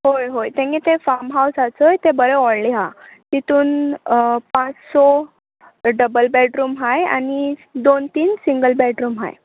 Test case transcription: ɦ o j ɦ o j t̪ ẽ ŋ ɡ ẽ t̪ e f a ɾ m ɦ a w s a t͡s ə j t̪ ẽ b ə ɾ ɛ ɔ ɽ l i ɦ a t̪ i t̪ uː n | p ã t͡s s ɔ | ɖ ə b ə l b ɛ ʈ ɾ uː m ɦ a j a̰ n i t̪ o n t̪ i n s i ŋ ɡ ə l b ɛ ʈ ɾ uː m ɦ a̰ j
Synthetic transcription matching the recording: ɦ o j ɦ o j t̪ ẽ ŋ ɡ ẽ t̪ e f a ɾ m ɦ a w s a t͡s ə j t̪ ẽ b ə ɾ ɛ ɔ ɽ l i ɦ a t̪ i t̪ uː n | p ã t͡s s ɔ | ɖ ə b ə l b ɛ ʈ ɾ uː m ɦ a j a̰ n i d̪ o n t̪ iː n s i ŋ ɡ ə l b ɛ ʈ ɾ uː m ɦ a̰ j